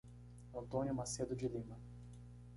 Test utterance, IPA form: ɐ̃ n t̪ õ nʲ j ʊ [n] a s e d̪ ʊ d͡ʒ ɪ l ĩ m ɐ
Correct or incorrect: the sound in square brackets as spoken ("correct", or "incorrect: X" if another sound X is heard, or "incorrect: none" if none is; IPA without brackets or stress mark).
incorrect: m